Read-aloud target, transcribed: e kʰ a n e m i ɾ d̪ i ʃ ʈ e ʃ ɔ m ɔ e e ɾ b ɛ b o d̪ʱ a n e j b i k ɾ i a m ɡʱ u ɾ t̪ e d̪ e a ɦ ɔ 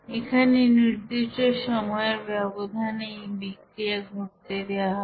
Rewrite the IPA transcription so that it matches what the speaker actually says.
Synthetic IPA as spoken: e kʰ a n e n i ɾ d̪ i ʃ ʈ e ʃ ɔ m ɔ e e ɾ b ɛ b o d̪ʱ a n e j b i k ɾ i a ɡʱ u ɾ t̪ e d̪ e a ɦ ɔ